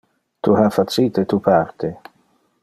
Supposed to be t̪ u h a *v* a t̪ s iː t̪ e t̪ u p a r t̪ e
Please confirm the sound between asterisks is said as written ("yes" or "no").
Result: no